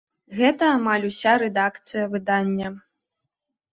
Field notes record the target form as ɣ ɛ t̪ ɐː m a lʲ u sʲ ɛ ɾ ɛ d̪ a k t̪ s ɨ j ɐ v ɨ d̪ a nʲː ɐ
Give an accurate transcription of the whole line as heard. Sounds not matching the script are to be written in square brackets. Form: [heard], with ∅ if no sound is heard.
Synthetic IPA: ɣ ɛ t̪ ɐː m a lʲ u sʲ [a] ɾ ɛ d̪ a k t̪ s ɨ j ɐ v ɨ d̪ a nʲː ɐ